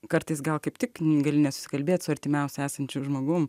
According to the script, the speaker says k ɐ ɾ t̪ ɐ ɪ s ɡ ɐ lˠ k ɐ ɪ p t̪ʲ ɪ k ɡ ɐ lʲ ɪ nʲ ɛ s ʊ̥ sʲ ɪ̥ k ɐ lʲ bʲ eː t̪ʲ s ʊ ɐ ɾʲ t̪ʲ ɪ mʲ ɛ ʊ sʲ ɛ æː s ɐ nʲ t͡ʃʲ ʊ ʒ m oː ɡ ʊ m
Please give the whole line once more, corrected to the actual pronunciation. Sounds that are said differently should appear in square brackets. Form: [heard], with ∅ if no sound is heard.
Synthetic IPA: k ɐ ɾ t̪ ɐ ɪ s ɡ ɐ lˠ k ɐ ɪ p t̪ʲ ɪ k ɡ ɐ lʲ ɪ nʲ ɛ s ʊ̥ sʲ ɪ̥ k ɐ lʲ bʲ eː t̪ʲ s ʊ ɐ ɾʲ t̪ʲ ɪ mʲ ɛ ʊ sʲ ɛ æː s ɐ nʲ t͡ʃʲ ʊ ʒ m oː ɡ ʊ m